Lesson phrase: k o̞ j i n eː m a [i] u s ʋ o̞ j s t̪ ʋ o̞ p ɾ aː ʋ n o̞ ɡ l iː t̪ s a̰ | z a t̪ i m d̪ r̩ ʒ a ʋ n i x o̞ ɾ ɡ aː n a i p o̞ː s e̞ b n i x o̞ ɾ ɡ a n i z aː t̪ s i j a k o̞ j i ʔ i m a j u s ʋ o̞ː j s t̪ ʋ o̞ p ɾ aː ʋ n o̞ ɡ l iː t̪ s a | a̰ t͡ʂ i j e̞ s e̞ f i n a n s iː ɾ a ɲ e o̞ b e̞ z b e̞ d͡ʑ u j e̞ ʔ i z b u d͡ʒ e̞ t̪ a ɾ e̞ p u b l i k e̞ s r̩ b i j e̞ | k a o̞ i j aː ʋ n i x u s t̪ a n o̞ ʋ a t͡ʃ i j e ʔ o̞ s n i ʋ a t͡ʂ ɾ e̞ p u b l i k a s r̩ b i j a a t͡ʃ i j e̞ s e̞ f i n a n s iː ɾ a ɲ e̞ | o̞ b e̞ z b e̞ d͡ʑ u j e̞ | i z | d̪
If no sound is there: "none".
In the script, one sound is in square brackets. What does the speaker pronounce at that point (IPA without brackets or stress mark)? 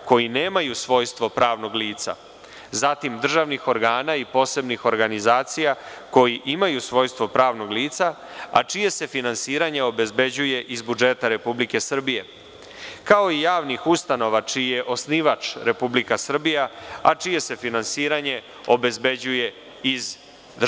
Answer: j